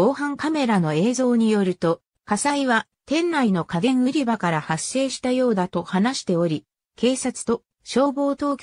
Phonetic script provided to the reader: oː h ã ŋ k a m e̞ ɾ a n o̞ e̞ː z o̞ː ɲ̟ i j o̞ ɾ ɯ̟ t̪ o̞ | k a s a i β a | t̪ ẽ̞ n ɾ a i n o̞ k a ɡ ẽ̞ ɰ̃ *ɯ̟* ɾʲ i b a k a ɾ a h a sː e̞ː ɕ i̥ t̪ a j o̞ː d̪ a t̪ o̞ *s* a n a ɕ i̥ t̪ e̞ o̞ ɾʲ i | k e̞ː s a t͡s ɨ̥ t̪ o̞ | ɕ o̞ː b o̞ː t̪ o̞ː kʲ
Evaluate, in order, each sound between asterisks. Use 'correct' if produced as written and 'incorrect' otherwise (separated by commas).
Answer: correct, incorrect